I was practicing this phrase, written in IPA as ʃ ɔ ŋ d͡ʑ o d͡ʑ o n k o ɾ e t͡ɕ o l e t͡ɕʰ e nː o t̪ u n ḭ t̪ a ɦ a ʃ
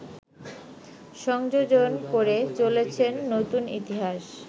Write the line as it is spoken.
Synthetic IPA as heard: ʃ ɔ ŋ d͡ʑ o d͡ʑ o n k o ɾ e t͡ɕ o l e t͡ɕʰ e nː o t̪ u n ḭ t̪ i ɦ a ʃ